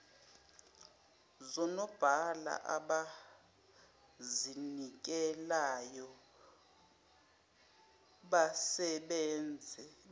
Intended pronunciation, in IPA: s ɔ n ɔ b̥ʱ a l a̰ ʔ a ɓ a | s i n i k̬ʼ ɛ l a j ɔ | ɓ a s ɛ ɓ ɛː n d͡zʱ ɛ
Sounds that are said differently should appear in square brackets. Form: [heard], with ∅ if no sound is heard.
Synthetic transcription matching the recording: [z] ɔ n ɔ b̥ʱ a l a̰ ʔ a ɓ a | [z] i n i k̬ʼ ɛ l a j ɔ | ɓ a s ɛ ɓ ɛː n d͡zʱ ɛ